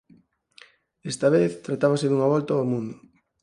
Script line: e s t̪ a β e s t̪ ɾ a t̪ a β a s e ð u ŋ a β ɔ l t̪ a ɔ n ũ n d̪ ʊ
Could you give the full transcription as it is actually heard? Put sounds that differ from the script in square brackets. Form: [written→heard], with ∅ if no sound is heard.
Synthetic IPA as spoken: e s t̪ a β e [s→θ] t̪ ɾ a t̪ a β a s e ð u ŋ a β ɔ l t̪ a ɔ [n→m] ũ n d̪ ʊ

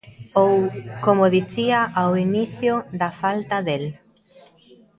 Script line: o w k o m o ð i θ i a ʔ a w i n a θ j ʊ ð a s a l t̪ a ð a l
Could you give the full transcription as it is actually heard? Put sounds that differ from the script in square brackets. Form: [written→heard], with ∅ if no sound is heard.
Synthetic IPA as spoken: o w k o m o ð i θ i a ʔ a w i n [a→i] θ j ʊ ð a [s→f] a l t̪ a ð [a→e] l

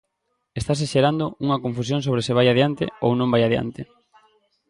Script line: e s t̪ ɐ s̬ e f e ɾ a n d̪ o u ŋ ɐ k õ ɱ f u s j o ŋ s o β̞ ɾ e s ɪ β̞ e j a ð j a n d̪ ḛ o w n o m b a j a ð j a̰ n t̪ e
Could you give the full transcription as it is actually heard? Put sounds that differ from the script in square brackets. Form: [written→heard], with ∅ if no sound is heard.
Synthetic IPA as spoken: e s t̪ [ɐ→a] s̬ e [f→ʃ] e ɾ a n d̪ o u ŋ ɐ k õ ɱ f u s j o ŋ s o β̞ ɾ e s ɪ β̞ [e→a] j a ð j a n [d̪→t̪] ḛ o w n [o→õ] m b a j a ð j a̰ n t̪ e

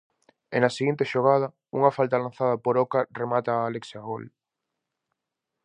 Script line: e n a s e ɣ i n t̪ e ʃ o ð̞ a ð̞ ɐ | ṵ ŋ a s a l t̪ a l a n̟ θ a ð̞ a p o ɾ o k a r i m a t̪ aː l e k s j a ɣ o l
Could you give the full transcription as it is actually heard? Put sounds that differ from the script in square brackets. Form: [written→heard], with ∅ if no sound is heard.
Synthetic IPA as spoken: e n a s e ɣ i n t̪ e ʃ o [ð̞→ɣ̞] a ð̞ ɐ | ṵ ŋ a [s→f] a l t̪ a l a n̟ θ a ð̞ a p o ɾ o k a r [i→e] m a t̪ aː l e k s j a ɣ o l

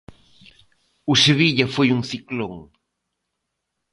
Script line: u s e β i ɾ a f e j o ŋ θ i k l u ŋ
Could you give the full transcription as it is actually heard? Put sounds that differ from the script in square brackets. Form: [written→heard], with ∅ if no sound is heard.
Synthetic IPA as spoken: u s e β i [ɾ→ʎ] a f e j [o→u] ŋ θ i k l [u→o] ŋ

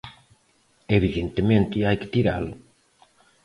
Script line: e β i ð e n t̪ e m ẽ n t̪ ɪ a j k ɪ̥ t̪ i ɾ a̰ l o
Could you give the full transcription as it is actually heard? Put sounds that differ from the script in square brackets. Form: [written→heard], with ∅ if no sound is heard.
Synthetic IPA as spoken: e β i ð e n t̪ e m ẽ n t̪ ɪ a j k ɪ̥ t̪ i ɾ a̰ l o

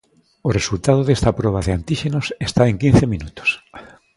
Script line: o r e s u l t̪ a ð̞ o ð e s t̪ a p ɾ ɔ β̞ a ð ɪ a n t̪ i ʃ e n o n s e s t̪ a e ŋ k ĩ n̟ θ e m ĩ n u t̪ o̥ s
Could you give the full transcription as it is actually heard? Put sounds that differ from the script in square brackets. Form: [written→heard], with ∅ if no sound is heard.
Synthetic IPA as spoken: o r e s u l t̪ a ð̞ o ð e s t̪ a p ɾ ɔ β̞ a ð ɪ a n t̪ i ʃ e n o [n→∅] s e s t̪ a e ŋ k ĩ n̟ θ e m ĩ n u t̪ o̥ s

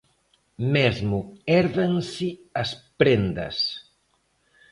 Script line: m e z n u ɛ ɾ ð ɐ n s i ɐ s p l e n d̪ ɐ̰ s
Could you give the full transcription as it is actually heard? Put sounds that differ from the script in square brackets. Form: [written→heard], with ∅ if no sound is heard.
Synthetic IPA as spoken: m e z [n→m] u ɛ ɾ ð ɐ n s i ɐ s p [l→ɾ] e n d̪ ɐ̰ s

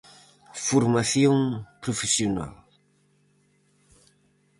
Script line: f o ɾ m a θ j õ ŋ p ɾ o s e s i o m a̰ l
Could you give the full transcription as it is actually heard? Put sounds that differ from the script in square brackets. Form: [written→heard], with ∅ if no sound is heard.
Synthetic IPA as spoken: f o ɾ m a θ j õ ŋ p ɾ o [s→f] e s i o [m→n] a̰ l

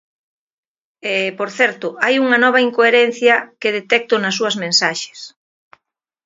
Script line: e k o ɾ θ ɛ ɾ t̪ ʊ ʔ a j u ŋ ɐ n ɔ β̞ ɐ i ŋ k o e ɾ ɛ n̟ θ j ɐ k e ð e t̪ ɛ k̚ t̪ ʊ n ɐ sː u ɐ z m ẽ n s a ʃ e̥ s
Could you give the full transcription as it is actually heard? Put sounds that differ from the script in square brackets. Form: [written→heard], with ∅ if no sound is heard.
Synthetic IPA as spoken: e [k→p] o ɾ θ ɛ ɾ t̪ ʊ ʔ a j u ŋ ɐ n ɔ β̞ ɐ i ŋ k o e ɾ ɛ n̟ θ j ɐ k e ð e t̪ ɛ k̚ t̪ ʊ n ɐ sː u ɐ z m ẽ n s a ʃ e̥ s

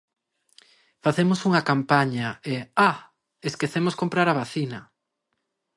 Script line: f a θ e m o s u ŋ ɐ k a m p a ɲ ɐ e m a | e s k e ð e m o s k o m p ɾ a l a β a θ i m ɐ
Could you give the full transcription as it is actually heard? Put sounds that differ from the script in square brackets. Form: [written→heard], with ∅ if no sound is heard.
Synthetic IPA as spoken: f a θ e m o s u ŋ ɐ k a m p a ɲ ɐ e [m→∅] a | e s k e [ð→θ] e m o s k o m p ɾ a [l→ɾ] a β a θ i [m→n] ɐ

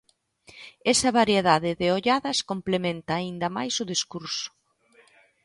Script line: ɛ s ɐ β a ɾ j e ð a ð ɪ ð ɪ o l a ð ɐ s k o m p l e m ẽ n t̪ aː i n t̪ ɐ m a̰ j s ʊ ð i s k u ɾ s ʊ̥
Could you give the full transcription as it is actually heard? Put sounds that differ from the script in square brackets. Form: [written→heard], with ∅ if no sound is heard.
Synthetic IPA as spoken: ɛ s ɐ β a ɾ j e ð a ð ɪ ð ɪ o [l→ʎ] a ð ɐ s k o m p l e m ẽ n t̪ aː i n [t̪→d̪] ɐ m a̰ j s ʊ ð i s k u ɾ s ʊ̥

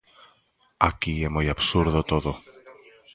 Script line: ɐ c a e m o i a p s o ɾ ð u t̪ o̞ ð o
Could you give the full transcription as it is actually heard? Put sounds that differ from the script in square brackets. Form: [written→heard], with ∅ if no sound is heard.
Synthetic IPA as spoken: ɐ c [a→i] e m o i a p s [o→u] ɾ ð [u→o] t̪ o̞ ð o

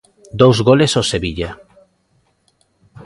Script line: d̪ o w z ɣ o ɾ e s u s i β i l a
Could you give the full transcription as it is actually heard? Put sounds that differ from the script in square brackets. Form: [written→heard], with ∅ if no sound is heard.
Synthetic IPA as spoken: d̪ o w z ɣ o [ɾ→l] e s [u→o] s [i→e] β i [l→ʎ] a

